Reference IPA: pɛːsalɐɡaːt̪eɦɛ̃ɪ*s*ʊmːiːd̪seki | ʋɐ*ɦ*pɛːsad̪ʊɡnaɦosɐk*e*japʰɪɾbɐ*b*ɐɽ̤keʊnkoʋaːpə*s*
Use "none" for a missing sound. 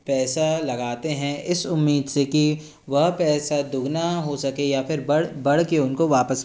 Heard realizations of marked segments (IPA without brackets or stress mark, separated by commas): s, ɦ, e, b, s